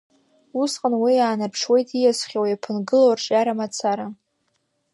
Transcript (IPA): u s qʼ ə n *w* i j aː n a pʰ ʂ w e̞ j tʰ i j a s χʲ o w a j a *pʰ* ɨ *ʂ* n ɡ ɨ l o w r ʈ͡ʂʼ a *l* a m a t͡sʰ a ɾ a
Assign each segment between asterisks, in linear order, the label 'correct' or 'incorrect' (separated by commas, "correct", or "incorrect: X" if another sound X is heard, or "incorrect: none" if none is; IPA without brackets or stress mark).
correct, correct, incorrect: none, incorrect: ɾ